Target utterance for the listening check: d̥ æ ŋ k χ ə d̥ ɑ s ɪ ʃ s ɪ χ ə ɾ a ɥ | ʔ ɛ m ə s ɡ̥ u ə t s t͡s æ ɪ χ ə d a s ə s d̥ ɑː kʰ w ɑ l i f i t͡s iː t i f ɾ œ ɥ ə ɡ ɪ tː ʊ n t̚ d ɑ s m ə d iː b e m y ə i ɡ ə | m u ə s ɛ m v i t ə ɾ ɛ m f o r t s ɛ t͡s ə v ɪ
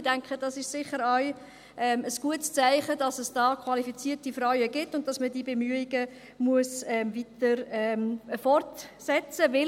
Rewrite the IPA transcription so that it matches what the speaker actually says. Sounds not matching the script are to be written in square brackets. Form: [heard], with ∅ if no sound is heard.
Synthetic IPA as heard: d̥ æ ŋ k χ ə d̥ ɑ s ɪ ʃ s ɪ χ ə ɾ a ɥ | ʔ ɛ m ə s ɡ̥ u ə t s t͡s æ ɪ χ ə d [ɑ] s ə s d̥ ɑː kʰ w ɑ l i f i t͡s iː t i f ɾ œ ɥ ə ɡ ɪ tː ʊ n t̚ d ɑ s m ə d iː b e m y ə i ɡ ə | m u ə s ɛ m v i t ə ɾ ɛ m f [ɔ] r t s ɛ t͡s ə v ɪ

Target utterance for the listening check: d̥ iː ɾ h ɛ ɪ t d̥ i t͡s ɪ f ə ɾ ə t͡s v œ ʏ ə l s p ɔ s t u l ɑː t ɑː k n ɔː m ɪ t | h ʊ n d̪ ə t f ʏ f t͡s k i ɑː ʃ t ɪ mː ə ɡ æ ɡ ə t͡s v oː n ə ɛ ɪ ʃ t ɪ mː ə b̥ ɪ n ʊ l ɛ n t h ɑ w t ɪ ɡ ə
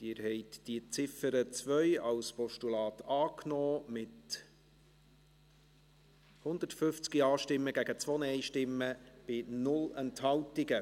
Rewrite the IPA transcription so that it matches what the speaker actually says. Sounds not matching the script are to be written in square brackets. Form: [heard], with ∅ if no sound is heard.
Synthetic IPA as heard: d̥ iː ɾ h ɛ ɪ t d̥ i t͡s ɪ f ə ɾ ə t͡s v œ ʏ [ɑ] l s p ɔ [ʃ] t u l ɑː t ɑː k n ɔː m ɪ t | h ʊ n d̪ ə t f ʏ f t͡s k i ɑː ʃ t ɪ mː ə ɡ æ ɡ ə t͡s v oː n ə ɛ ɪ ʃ t ɪ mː ə b̥ ɪ n ʊ l ɛ n t h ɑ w t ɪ ɡ ə

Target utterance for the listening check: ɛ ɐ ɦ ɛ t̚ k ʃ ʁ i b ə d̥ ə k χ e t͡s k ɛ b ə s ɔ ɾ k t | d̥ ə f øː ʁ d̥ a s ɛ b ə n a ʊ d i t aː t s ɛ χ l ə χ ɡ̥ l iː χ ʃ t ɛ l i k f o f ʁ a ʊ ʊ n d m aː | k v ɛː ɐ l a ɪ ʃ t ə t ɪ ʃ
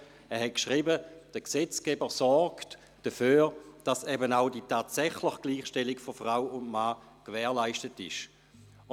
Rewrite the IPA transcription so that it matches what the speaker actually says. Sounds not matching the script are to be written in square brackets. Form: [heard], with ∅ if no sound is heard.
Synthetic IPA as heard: ɛ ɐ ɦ ɛ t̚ k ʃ ʁ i b ə d̥ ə k [s] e t͡s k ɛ b ə s ɔ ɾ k t | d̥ ə f øː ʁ d̥ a s ɛ b ə n a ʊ d i t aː t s ɛ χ l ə χ ɡ̥ l iː χ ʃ t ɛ l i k f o f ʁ a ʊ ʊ n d m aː | k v ɛː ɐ l a ɪ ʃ t ə t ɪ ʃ

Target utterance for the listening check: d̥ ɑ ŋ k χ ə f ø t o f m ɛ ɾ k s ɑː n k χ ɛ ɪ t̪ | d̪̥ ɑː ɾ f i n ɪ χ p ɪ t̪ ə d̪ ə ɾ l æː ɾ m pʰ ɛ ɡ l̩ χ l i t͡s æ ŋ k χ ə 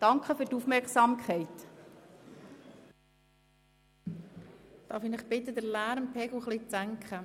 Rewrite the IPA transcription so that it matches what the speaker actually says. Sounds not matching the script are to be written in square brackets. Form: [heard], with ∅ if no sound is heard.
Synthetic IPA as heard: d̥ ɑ ŋ k χ ə f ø t [u] f m ɛ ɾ k s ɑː [m] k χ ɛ ɪ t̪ | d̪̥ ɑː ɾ f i n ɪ χ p ɪ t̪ ə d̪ ə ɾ l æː ɾ m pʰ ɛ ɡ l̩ χ l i t͡s æ ŋ k χ ə

